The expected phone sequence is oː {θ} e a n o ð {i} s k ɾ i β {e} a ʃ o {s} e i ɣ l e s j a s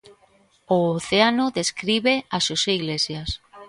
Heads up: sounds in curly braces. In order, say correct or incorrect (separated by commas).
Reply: correct, incorrect, correct, correct